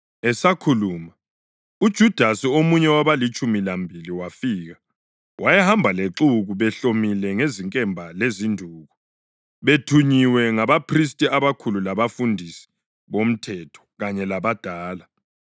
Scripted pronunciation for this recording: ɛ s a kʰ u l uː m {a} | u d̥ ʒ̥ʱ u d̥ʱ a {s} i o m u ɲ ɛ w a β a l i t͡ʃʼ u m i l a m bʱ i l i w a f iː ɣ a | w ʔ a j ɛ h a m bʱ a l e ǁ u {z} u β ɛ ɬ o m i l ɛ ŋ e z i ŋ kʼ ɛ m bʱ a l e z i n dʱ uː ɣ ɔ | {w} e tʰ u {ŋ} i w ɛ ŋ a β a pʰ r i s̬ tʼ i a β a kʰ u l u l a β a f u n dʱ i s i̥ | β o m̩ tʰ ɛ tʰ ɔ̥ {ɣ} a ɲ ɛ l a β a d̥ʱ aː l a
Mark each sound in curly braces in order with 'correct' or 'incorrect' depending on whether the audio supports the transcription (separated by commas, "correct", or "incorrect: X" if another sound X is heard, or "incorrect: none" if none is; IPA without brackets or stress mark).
correct, correct, incorrect: ɣ, incorrect: β, incorrect: ɲ, correct